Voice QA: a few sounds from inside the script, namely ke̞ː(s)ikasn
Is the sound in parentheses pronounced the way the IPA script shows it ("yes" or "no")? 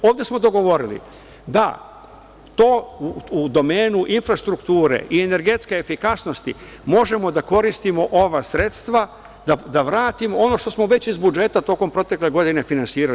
no